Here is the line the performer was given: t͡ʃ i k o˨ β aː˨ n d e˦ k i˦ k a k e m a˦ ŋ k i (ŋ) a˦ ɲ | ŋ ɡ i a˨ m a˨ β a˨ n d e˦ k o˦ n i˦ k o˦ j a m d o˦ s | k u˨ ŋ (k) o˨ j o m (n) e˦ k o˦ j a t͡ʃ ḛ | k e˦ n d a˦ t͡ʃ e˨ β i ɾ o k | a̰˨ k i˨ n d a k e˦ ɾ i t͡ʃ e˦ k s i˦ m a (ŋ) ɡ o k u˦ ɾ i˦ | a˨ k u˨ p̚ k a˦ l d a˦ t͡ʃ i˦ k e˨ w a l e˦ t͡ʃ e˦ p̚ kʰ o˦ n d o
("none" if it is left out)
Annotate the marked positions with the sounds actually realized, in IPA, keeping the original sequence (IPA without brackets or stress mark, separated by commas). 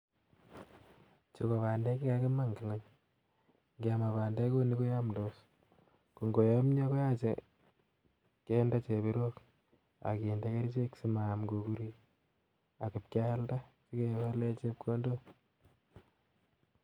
ŋ, ɡ, ɲ, m